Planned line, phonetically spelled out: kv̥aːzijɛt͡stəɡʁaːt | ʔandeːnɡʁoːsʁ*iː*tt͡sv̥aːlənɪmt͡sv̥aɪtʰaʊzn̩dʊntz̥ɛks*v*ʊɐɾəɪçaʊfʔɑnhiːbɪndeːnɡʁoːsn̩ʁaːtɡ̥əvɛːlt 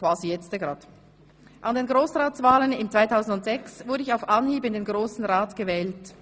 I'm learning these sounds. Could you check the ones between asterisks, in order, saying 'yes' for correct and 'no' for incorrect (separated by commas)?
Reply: no, yes